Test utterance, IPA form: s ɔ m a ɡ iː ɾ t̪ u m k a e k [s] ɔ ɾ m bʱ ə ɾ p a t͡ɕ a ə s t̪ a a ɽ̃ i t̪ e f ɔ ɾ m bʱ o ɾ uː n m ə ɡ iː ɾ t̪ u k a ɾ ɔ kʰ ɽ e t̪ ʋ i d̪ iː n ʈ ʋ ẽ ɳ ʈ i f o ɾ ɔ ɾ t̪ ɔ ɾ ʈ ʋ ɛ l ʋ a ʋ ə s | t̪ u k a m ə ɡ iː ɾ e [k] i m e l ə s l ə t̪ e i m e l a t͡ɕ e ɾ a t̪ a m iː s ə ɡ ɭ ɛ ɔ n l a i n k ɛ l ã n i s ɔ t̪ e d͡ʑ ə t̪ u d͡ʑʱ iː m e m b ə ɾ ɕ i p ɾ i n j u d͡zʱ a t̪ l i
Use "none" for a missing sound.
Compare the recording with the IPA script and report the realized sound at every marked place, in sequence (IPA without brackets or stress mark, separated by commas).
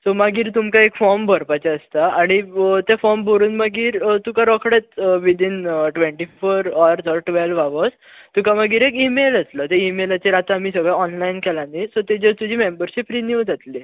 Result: f, k